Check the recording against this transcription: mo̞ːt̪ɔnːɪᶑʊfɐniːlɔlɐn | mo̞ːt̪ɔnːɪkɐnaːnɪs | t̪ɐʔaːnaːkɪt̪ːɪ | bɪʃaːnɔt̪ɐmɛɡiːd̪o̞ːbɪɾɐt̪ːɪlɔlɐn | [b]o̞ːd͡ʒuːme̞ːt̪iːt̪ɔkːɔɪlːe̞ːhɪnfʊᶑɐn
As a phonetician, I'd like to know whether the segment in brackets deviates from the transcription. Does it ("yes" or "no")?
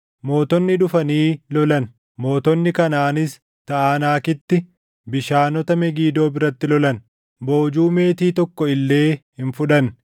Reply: no